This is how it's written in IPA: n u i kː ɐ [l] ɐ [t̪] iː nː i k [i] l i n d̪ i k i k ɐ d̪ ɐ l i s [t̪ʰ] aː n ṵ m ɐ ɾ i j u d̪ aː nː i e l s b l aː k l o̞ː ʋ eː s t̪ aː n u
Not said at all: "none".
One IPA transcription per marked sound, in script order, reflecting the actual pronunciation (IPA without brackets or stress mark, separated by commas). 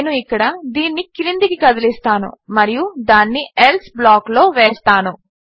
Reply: ɽ, d̪, i, t̪